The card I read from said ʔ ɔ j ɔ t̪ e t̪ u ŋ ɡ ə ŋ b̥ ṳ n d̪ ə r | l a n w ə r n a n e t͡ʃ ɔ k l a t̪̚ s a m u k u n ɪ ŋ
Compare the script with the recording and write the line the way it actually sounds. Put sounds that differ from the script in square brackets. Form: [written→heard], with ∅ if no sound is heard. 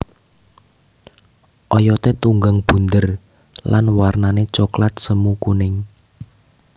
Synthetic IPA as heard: ʔ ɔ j ɔ t̪ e t̪ u ŋ ɡ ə ŋ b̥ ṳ n d̪ ə r | l a n w [ə→a] r n a n e t͡ʃ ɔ k l a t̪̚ s [a→ə] m u k u n ɪ ŋ